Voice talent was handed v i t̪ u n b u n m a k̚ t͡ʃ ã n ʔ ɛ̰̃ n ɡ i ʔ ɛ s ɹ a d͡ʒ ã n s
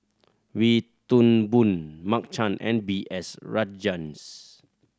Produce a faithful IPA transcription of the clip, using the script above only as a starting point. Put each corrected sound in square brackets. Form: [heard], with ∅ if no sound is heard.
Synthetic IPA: [w] i t̪ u n b u n m a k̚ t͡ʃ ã n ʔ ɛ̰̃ n [b] i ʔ ɛ s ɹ a d͡ʒ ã n s